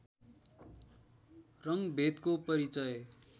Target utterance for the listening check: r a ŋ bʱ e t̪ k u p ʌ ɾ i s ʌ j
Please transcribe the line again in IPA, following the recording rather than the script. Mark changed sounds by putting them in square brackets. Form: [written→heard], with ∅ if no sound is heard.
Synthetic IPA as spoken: r [a→ʌ] ŋ bʱ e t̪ k [u→o] p ʌ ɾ i [s→t͡s] ʌ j